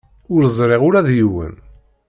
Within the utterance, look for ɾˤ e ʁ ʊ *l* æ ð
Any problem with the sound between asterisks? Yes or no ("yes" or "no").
yes